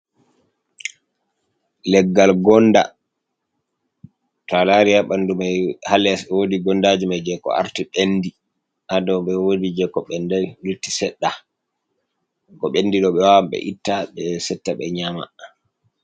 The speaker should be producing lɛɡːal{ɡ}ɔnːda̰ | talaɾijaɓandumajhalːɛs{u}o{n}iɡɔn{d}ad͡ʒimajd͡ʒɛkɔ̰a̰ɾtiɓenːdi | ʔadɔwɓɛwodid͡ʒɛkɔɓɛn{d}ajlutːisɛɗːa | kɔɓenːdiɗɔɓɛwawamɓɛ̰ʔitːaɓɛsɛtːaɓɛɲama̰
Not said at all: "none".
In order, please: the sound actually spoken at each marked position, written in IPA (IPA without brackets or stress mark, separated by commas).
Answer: ɡ, w, d, d, d